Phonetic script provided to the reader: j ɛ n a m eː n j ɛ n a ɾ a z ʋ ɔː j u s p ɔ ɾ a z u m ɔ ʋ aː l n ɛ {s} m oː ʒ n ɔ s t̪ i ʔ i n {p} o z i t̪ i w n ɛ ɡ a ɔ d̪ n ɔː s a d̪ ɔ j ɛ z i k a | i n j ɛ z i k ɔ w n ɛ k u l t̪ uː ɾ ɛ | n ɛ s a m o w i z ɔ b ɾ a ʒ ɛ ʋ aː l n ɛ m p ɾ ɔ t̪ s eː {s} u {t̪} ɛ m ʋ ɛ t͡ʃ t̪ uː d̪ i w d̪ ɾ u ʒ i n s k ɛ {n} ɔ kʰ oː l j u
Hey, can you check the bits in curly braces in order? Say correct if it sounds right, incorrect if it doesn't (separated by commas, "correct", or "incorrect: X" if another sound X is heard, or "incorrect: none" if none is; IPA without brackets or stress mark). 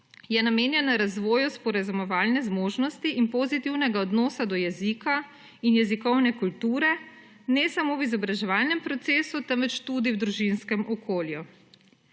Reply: incorrect: z, correct, correct, correct, incorrect: m